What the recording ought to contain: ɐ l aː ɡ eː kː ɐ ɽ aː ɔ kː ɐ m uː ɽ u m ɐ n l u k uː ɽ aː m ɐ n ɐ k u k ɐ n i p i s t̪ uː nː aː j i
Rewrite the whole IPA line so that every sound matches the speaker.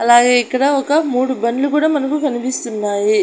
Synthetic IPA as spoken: ɐ l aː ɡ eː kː ɐ ɽ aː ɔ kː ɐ m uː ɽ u b ɐ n l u k uː ɽ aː m ɐ n ɐ k u k ɐ n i p i s t̪ u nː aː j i